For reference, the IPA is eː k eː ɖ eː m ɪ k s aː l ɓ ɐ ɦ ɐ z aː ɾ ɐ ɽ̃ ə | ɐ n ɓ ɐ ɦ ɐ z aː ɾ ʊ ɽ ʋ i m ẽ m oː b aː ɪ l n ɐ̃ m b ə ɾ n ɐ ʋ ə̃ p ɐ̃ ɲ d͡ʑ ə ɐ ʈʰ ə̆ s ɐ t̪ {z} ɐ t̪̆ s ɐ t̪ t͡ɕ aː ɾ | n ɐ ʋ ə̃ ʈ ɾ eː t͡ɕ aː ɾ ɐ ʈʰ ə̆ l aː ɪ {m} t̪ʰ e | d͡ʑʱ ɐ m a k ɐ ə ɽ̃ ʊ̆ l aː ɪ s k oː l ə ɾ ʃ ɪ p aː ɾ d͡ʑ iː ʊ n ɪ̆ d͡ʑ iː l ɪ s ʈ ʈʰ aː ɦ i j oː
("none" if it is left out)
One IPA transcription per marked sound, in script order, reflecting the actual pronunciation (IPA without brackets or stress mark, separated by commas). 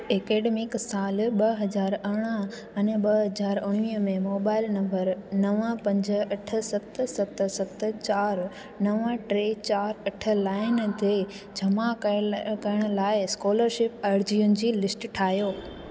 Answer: s, n